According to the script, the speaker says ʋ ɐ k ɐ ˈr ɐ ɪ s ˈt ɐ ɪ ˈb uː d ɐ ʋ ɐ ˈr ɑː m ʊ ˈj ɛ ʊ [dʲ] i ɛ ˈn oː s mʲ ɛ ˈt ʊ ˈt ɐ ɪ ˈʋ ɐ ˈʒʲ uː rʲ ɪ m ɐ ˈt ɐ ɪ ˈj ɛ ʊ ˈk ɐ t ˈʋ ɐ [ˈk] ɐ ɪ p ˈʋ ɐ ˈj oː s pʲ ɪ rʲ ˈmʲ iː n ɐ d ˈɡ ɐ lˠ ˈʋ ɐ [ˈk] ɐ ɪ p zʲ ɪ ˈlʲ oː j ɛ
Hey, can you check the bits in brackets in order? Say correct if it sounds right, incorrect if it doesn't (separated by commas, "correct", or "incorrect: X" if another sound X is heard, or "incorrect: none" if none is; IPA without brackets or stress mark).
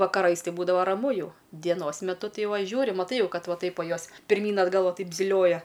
correct, incorrect: t, incorrect: t